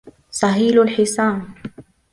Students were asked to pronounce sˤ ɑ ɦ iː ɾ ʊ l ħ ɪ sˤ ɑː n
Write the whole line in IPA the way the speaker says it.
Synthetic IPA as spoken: sˤ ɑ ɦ iː l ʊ l ħ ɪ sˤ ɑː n